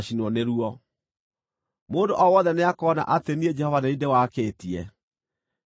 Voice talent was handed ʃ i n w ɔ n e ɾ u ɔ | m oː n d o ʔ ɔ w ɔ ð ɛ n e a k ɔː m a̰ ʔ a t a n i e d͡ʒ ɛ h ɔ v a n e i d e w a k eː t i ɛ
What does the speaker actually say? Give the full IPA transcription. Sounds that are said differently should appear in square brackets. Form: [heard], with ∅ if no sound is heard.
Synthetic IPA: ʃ i n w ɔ n e ɾ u ɔ | m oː n d o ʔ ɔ w ɔ ð ɛ n e a k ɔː [n] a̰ ʔ a t [e] n i e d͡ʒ ɛ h ɔ v a n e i d e w a k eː t i ɛ